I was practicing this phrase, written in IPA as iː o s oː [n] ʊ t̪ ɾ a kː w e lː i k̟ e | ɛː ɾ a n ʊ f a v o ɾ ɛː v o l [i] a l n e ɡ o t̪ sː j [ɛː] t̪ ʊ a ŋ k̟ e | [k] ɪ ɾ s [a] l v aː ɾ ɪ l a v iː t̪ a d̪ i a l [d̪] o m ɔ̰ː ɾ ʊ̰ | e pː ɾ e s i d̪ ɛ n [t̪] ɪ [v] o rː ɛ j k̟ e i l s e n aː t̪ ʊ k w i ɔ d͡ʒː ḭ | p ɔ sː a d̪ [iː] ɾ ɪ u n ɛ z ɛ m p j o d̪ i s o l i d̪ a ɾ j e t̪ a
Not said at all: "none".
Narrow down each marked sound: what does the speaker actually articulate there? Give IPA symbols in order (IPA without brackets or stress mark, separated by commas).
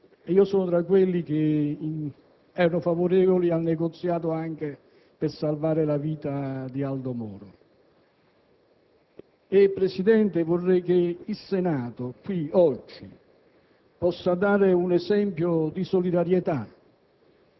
n, i, aː, p, a, d̪, t̪, v, aː